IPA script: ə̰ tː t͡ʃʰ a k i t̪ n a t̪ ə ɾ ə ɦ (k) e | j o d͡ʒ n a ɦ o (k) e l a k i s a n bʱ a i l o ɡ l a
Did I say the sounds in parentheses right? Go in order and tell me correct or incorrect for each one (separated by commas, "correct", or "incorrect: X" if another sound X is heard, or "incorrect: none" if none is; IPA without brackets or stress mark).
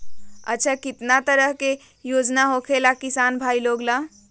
correct, incorrect: kʰ